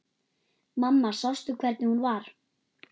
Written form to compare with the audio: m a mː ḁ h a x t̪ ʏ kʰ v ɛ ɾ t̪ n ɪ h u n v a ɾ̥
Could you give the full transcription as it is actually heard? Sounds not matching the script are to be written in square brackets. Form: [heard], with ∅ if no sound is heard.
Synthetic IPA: m a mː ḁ [s] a [s] t̪ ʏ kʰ v ɛ ɾ t̪ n ɪ h u n v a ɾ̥